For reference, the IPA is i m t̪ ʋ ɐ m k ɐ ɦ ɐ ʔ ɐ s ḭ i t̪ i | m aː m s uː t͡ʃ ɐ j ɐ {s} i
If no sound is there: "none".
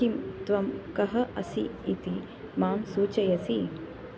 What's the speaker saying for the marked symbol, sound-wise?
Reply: s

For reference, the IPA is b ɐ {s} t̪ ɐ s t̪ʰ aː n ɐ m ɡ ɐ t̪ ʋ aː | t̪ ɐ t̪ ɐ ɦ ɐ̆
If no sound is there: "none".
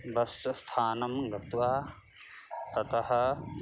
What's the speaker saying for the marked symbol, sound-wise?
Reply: s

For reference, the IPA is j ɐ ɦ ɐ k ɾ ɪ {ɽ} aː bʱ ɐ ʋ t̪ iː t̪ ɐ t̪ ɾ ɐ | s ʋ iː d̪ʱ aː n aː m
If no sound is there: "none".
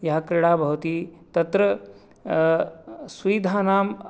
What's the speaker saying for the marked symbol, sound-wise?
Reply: ɽ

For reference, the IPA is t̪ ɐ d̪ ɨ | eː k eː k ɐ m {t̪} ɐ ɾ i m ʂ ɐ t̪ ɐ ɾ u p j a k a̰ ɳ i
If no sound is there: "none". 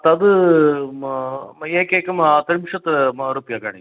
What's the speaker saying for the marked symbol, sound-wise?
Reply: t̪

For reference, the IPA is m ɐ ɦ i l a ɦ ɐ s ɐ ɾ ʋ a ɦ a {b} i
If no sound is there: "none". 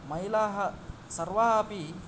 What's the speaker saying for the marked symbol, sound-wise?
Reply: p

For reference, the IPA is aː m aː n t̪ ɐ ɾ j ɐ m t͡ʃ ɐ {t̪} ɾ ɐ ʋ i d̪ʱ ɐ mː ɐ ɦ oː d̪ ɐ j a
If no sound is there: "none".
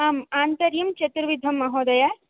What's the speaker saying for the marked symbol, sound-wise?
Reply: t̪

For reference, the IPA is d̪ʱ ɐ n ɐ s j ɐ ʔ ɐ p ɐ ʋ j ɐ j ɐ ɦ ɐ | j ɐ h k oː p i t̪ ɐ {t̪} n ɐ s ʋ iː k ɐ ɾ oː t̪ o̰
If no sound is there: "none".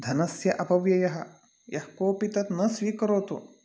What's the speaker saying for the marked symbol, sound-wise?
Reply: t̪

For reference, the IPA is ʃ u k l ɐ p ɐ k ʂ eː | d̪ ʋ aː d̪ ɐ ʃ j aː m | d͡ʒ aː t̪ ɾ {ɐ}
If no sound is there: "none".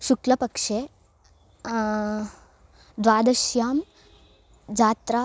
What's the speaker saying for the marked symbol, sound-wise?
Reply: a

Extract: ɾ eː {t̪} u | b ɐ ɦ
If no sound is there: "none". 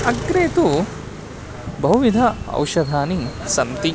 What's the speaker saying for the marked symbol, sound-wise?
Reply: t̪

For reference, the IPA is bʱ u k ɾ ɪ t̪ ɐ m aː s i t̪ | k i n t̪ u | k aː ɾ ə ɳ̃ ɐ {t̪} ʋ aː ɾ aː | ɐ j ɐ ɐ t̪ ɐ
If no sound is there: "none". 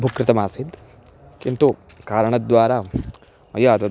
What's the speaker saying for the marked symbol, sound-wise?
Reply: d̪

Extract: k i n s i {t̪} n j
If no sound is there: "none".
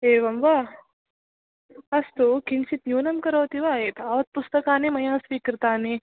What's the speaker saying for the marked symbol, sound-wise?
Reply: t̪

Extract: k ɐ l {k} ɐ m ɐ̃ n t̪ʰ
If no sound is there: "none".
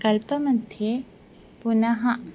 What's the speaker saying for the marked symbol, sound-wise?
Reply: p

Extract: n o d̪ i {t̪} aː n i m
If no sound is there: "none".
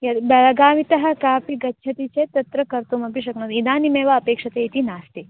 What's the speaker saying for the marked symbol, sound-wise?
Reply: d̪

